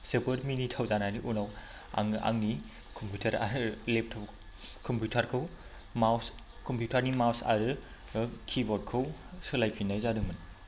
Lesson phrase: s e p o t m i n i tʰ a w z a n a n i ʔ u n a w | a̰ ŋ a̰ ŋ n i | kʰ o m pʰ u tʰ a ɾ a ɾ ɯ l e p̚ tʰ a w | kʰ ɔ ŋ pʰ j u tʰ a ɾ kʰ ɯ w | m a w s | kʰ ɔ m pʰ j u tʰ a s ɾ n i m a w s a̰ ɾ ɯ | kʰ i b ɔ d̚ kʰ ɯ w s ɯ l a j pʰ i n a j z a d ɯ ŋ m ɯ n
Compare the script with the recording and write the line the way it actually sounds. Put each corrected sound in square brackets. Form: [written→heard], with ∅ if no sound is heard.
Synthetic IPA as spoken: s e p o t m i n i tʰ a w z a n a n i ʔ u n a w | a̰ ŋ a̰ ŋ n i | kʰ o m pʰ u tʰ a ɾ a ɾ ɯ l e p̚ tʰ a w | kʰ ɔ [ŋ→m] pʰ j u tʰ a ɾ kʰ ɯ w | m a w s | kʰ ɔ m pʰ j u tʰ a [s→∅] ɾ n i m a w s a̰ ɾ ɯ | kʰ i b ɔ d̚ kʰ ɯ w s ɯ l a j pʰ i n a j z a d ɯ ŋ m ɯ n